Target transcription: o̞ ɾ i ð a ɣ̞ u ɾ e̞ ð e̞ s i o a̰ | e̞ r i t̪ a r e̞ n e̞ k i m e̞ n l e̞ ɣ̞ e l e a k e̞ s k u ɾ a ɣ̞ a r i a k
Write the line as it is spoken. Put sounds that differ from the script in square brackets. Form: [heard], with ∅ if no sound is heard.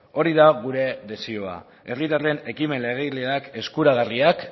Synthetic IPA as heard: o̞ ɾ i ð a ɣ̞ u ɾ e̞ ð e̞ s i o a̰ | e̞ r i t̪ a r e̞ n e̞ k i m e̞ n l e̞ ɣ̞ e l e a k e̞ s k u ɾ a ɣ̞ a r i a k